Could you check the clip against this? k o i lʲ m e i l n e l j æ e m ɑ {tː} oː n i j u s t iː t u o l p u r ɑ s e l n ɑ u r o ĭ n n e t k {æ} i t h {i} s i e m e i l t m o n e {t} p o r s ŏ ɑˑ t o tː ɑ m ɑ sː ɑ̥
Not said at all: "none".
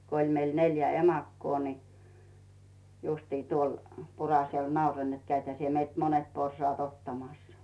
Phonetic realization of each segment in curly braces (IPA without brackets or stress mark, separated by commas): kː, æ, æ, t